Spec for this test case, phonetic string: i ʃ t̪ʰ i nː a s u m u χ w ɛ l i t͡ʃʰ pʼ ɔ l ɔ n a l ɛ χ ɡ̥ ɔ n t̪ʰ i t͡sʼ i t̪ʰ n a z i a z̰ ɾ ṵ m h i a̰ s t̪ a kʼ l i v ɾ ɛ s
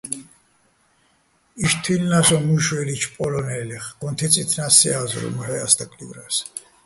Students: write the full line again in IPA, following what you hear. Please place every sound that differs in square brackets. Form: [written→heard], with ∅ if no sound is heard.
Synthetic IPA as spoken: i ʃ t̪ʰ i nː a s [u→ɔ] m u [χ→ʃ] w ɛ l i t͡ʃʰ pʼ ɔ l ɔ n [a→ɛ] l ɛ χ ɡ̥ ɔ n t̪ʰ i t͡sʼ i t̪ʰ n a [z→s] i a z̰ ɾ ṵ m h [i→ɛ] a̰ s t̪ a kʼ l i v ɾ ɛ s